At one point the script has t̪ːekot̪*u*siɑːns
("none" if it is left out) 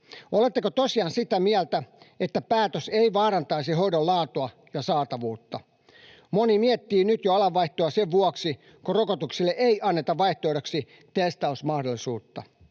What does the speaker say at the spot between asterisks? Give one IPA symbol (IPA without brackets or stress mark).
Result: o